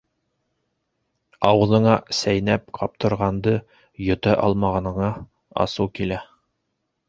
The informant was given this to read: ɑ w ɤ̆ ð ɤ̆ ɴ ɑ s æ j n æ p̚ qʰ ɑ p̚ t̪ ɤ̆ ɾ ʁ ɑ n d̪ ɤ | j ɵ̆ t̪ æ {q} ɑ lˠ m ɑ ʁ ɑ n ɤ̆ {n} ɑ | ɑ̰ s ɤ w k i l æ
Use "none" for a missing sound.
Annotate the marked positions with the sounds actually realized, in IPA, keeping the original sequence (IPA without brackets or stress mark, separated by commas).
ʔ, ɴ